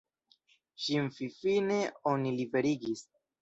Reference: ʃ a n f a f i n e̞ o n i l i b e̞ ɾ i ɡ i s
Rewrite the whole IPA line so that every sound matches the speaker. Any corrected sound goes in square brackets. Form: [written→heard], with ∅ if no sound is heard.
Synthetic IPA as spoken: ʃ [a→i] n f [a→i] f i n e̞ o n i l i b e̞ ɾ i ɡ i s